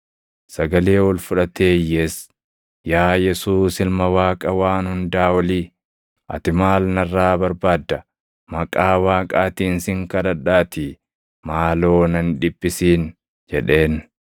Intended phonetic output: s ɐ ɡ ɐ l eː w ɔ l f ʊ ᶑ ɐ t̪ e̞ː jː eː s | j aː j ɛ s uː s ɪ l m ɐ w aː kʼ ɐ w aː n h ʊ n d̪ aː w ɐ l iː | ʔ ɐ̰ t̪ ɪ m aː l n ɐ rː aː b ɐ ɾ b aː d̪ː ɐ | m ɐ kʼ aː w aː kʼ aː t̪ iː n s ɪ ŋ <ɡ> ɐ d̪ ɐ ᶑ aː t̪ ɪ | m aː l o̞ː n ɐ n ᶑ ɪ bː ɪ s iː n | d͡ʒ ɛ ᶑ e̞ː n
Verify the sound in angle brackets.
incorrect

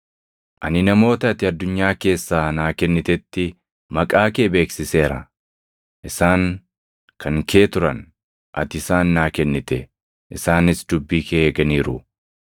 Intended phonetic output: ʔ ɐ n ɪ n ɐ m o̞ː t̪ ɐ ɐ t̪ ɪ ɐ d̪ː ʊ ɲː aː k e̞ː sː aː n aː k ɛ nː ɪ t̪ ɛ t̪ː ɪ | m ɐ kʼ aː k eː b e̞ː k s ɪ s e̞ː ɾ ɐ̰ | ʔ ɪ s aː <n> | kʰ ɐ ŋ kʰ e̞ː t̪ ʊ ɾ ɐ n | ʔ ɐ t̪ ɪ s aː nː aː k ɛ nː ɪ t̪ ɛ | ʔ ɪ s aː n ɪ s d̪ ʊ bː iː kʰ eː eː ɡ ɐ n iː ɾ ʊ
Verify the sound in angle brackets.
incorrect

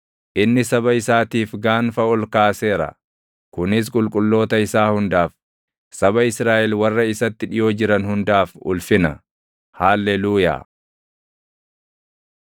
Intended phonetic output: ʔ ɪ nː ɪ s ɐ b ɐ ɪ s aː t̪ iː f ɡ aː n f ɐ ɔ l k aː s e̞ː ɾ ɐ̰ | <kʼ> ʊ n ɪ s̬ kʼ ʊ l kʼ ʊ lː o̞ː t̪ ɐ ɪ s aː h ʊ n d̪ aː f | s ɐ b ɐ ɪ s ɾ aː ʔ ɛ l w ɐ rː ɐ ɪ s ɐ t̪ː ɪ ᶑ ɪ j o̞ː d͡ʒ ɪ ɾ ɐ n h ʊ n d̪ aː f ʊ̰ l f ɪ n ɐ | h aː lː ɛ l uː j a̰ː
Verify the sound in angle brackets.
incorrect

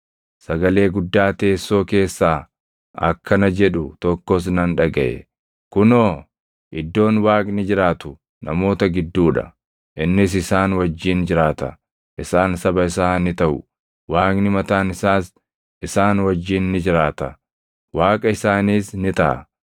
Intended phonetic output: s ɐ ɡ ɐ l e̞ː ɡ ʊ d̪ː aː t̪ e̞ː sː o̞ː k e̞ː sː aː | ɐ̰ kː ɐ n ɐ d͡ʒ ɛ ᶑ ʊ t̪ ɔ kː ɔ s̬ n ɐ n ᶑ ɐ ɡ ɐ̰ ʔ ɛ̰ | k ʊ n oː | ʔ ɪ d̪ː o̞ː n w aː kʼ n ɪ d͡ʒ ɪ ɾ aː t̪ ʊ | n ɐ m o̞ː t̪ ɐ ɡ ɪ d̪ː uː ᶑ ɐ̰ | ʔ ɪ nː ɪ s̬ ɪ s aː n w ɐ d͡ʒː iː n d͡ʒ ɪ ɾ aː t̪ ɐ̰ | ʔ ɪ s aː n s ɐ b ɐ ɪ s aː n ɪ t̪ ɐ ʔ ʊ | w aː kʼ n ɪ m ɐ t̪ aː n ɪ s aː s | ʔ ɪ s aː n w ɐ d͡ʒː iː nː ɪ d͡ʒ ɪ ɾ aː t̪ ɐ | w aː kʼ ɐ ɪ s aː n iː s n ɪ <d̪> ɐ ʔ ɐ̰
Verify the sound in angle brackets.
incorrect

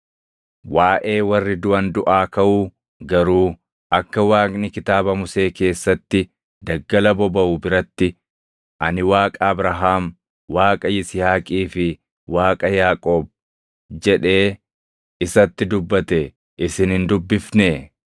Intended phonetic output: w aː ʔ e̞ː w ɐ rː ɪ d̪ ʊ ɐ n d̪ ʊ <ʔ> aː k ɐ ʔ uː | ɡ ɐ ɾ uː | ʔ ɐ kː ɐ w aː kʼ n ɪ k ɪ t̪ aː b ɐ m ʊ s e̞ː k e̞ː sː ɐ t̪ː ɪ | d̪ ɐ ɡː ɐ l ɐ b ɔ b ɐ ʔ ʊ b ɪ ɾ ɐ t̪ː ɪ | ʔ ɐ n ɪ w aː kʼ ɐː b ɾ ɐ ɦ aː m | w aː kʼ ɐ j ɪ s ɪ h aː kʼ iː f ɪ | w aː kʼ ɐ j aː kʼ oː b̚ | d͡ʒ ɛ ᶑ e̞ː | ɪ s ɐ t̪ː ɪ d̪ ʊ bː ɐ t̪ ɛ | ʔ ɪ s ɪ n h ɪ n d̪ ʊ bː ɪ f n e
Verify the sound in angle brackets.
correct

